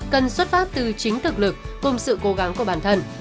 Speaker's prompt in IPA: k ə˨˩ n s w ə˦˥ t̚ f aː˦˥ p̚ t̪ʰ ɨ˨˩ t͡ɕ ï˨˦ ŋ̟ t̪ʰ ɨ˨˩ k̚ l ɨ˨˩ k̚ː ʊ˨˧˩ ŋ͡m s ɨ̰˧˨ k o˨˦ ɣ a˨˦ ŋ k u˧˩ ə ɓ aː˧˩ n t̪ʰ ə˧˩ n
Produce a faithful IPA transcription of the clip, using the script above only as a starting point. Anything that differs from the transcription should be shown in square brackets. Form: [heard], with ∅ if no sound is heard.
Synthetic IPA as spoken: k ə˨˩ n s w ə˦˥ t̚ f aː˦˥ p̚ [t̪] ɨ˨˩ t͡ɕ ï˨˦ ŋ̟ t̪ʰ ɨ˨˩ k̚ l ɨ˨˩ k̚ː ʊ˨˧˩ ŋ͡m s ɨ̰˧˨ k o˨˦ ɣ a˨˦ ŋ k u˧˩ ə ɓ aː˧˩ n t̪ʰ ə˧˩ n